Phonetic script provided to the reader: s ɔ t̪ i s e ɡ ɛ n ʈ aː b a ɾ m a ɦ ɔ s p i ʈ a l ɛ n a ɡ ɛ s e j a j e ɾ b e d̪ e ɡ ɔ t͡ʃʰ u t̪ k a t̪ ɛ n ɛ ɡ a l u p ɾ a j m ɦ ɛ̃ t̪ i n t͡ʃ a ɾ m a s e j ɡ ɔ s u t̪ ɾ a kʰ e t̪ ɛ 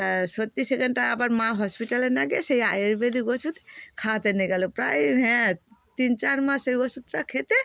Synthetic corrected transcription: s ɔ t̪ i s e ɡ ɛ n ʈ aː b a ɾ m a ɦ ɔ s p i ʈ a l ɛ n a ɡ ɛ s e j a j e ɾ b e d̪ i ɡ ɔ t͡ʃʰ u t̪ kʰ a t̪ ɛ n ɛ ɡ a l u p ɾ a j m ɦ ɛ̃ t̪ i n t͡ʃ a ɾ m a s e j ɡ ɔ s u t̪ ɾ a kʰ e t̪ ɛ